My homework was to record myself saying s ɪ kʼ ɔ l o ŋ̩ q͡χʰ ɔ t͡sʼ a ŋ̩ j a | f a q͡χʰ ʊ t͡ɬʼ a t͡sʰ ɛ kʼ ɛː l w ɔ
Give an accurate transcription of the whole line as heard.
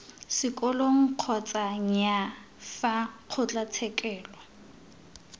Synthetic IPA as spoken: s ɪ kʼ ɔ l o ŋ̩ q͡χʰ ɔ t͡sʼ a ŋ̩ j a | f a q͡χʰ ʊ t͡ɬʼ a t͡sʰ ɛ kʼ ɛː l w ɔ